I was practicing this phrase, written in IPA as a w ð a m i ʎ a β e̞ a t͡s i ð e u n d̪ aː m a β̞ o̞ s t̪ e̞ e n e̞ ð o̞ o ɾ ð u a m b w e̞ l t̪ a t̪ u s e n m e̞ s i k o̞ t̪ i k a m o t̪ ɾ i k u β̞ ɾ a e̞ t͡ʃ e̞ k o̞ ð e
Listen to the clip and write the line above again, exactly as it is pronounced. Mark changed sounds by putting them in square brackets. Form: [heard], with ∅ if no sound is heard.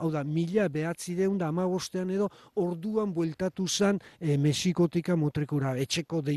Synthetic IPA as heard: a w ð a m i ʎ a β e̞ a t͡s i ð e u n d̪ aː m a β̞ o̞ s t̪ e̞ [a] n e̞ ð o̞ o ɾ ð u a m b w e̞ l t̪ a t̪ u s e n m e̞ s i k o̞ t̪ i k a m o t̪ ɾ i k u [∅] ɾ a e̞ t͡ʃ e̞ k o̞ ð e